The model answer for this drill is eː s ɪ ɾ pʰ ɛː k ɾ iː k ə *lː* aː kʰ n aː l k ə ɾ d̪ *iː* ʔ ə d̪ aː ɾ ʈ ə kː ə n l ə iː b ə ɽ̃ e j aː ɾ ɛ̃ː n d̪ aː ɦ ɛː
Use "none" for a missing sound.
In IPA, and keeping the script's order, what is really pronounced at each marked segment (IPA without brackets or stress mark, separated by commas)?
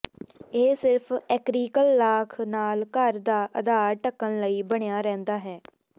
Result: lː, aː